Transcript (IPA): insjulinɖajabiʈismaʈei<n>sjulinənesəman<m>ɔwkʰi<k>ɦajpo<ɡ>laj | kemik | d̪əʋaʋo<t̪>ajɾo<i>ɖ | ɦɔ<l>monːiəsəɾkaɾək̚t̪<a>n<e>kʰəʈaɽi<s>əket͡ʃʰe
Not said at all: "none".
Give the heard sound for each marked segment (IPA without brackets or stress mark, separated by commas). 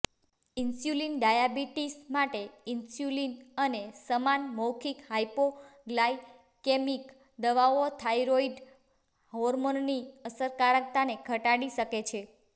n, m, k, ɡ, t̪ʰ, i, ɾ, a, e, ʃ